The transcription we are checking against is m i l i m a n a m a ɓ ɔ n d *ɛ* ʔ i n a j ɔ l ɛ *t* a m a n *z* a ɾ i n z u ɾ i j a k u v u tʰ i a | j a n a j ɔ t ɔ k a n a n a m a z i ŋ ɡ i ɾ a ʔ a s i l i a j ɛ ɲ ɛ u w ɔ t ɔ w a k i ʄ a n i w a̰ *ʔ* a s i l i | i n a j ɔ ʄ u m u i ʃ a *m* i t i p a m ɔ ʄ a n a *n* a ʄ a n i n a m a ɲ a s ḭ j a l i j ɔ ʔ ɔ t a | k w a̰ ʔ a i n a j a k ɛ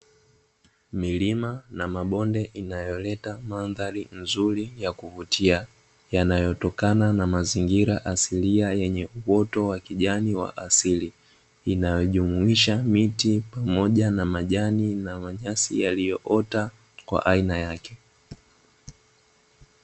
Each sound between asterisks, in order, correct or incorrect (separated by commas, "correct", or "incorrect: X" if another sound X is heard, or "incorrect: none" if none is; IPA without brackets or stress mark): correct, correct, incorrect: ð, correct, correct, incorrect: m